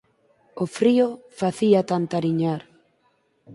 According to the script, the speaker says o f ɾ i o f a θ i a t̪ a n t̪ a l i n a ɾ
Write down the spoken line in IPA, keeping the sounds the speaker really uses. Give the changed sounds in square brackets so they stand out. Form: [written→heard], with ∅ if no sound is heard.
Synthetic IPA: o f ɾ i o f a θ i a t̪ a n t̪ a [l→ɾ] i [n→ɲ] a ɾ